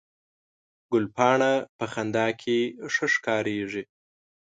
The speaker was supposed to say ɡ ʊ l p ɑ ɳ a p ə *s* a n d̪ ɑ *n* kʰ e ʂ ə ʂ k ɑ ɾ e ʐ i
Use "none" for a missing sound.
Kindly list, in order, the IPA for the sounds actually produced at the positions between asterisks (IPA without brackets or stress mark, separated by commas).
x, none